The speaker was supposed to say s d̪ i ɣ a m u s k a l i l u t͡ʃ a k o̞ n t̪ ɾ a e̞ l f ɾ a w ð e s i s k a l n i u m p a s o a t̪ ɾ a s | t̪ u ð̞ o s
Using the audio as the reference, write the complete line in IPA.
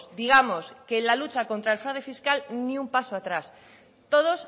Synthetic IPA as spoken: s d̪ i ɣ a m o s k e l a l u t͡ʃ a k o̞ n t̪ ɾ a e̞ l f ɾ a w ð e f i s k a l n i u m p a s o a t̪ ɾ a s | t̪ o ð̞ o s